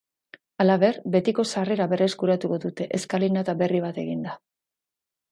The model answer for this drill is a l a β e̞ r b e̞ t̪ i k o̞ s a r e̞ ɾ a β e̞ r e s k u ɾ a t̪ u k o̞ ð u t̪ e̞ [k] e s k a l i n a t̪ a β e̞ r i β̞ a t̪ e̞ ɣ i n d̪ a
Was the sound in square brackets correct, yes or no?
no